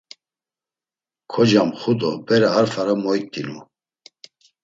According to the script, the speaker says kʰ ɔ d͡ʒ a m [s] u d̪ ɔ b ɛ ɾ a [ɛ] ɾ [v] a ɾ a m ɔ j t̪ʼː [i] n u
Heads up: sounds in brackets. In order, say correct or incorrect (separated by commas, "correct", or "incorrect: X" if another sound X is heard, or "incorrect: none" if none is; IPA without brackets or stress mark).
incorrect: χ, incorrect: a, incorrect: f, correct